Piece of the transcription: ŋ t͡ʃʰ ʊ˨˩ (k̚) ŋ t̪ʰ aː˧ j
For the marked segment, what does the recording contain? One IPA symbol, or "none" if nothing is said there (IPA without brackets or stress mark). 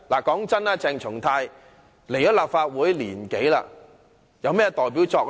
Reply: none